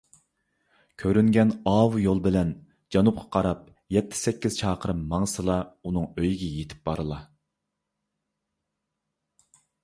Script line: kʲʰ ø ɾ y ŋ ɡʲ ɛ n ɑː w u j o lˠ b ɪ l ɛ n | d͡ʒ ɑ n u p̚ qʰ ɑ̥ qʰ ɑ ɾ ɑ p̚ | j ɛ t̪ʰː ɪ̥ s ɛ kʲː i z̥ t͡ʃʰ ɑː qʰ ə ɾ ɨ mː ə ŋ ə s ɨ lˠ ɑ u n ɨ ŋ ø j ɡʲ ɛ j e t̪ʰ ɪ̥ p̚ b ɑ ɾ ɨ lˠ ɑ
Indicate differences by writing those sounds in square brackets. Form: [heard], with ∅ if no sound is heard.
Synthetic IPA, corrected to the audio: kʲʰ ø ɾ y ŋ ɡʲ ɛ n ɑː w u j o lˠ b ɪ l ɛ n | d͡ʒ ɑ n u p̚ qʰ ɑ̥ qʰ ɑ ɾ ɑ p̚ | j ɛ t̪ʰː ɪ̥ s ɛ kʲː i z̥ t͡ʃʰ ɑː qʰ ə ɾ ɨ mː [ɑ] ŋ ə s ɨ lˠ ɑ u n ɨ ŋ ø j ɡʲ ɛ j e t̪ʰ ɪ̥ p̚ b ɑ ɾ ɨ lˠ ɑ

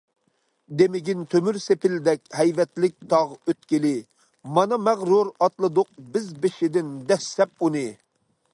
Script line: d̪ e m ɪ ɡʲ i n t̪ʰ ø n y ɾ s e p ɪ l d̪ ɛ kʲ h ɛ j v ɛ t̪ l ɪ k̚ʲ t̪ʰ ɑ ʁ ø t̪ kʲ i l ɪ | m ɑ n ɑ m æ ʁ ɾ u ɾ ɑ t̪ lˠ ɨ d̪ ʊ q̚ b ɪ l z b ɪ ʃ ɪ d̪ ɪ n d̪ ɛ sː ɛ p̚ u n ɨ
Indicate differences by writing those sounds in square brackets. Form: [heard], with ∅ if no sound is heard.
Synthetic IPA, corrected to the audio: d̪ e m ɪ ɡʲ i n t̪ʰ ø [m] y ɾ s e p ɪ l d̪ ɛ kʲ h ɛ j v ɛ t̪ l ɪ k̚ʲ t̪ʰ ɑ ʁ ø t̪ kʲ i l ɪ | m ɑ n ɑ m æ ʁ ɾ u ɾ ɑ t̪ lˠ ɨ d̪ ʊ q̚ b ɪ [∅] z b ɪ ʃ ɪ d̪ ɪ n d̪ ɛ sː ɛ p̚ u n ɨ

